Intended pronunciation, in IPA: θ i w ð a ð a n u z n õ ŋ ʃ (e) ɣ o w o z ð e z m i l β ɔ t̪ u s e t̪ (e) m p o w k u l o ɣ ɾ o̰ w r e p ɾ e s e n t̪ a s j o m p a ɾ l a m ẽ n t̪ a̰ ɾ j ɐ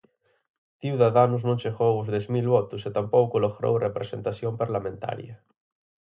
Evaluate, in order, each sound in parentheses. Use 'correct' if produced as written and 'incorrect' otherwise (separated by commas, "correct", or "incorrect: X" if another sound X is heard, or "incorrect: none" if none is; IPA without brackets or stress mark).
correct, incorrect: a